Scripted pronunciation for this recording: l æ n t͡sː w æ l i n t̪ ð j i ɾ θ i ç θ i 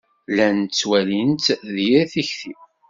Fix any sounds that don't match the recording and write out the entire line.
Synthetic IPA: l æ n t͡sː w æ l i n t̪ ð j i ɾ θ i ç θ i